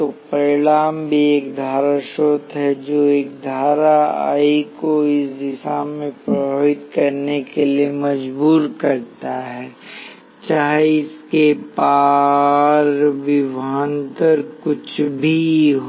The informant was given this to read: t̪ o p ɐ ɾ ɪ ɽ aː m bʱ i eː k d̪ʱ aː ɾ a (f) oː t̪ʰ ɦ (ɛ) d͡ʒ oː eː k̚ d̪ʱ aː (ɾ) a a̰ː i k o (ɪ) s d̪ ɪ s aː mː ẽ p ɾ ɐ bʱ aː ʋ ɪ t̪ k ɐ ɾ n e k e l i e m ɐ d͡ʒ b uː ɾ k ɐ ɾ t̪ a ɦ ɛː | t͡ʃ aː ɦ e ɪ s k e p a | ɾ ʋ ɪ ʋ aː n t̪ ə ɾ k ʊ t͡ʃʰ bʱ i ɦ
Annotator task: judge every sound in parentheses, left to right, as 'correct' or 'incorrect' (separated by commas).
incorrect, correct, correct, correct